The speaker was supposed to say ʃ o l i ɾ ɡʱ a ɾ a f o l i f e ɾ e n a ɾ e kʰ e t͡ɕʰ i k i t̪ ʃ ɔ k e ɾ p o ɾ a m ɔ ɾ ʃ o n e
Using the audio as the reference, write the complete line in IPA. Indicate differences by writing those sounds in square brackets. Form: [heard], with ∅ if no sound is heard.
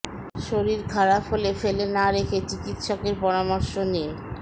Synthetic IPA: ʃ o [ɾ] i ɾ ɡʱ a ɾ a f o l [e] f e [l] e n a ɾ e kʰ e [t͡ɕ] i k i t̪ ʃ ɔ k e ɾ p [ɔ] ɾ a m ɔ ɾ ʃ o n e